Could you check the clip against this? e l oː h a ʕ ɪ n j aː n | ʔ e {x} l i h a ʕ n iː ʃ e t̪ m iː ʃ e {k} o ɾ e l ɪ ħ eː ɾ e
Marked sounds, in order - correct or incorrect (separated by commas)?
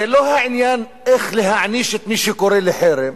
correct, correct